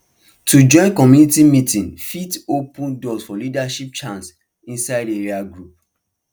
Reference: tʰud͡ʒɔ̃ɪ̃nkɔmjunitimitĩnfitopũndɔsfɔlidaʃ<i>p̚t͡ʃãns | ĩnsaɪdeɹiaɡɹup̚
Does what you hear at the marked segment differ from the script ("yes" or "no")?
no